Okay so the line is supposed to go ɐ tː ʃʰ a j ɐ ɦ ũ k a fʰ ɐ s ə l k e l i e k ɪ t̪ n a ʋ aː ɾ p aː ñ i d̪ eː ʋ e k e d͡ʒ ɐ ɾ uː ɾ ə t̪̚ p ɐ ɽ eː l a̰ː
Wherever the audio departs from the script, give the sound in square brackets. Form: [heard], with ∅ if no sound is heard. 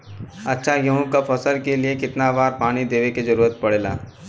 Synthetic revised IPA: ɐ tː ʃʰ a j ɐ ɦ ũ k a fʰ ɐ s ə l k e l i e k ɪ t̪ n a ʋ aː ɾ p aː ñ i d̪ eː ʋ e k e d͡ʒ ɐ ɾ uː ɾ ə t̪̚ p ɐ ɽ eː l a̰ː